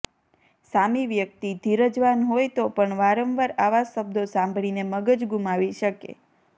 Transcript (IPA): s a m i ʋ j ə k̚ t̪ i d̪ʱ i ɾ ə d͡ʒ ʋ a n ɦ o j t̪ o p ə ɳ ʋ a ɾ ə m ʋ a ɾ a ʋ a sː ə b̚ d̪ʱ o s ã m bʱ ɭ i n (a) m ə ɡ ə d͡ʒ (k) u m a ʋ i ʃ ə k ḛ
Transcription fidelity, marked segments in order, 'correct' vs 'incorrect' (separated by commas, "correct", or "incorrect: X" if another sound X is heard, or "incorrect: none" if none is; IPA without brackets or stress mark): incorrect: e, incorrect: ɡ